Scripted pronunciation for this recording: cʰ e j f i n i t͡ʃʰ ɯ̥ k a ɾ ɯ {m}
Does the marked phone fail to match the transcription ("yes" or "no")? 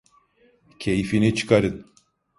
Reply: yes